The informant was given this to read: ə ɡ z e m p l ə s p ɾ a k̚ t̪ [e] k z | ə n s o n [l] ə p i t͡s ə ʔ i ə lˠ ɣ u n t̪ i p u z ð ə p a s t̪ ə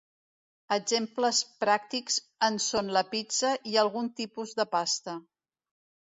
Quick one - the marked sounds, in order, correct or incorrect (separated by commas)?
incorrect, correct